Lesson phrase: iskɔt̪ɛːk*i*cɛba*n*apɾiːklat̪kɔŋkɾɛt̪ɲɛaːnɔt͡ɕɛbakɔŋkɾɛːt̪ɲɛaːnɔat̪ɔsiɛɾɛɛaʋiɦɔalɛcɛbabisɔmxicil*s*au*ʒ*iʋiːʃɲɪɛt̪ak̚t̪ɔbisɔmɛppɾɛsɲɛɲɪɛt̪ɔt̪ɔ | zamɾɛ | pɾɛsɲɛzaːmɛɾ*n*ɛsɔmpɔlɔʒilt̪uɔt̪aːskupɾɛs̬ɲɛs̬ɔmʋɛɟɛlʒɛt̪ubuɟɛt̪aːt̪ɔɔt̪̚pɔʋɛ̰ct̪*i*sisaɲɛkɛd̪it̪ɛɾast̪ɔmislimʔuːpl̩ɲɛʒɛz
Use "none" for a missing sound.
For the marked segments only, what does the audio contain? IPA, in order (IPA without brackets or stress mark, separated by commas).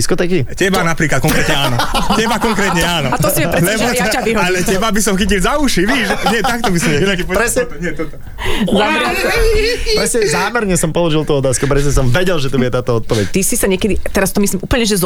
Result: i, n, z, ʃ, ɲ, i